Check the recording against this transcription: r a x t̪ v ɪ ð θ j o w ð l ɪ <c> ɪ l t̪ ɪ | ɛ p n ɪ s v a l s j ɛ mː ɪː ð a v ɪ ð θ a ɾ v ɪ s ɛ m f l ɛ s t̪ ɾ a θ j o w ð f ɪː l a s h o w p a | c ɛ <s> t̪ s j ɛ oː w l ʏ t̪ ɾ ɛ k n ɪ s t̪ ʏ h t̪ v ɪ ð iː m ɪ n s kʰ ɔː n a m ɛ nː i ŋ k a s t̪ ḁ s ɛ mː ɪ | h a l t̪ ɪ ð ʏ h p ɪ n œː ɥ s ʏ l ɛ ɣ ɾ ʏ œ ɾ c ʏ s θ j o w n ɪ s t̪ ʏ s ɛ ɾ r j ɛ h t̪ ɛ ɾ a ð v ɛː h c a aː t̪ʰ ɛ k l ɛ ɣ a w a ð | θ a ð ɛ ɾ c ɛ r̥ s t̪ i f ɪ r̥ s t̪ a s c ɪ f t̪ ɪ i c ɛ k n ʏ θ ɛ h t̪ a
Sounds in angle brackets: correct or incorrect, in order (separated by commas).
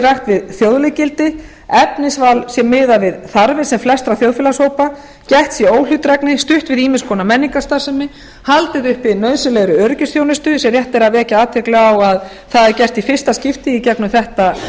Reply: correct, incorrect